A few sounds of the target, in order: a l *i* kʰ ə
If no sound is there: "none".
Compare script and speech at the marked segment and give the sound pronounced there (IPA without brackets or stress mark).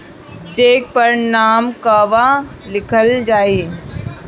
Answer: ɪ